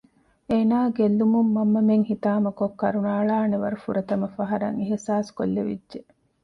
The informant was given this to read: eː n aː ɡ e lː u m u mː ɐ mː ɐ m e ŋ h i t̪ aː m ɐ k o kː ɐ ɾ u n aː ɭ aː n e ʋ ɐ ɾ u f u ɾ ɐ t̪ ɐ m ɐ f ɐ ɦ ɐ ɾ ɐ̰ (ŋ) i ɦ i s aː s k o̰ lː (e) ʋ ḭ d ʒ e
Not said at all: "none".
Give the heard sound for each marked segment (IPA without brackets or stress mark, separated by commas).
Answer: ŋ, e